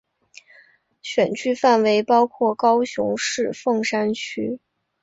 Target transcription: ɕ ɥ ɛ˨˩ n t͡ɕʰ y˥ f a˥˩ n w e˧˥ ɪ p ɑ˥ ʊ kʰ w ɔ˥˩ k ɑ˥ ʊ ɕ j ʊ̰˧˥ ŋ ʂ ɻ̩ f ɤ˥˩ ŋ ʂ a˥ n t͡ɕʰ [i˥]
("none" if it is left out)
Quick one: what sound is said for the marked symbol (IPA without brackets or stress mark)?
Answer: y˥